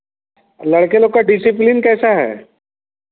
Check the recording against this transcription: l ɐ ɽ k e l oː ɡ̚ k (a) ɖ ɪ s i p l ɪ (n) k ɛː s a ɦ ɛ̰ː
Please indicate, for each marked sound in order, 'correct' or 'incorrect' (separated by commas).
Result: correct, correct